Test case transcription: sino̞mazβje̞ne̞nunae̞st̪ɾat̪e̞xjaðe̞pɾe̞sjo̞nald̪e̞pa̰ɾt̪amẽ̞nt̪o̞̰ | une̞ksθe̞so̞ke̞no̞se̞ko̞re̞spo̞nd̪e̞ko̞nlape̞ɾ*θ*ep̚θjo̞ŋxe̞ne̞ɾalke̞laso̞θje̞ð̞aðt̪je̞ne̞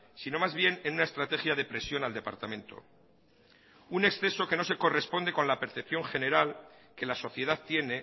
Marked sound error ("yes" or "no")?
no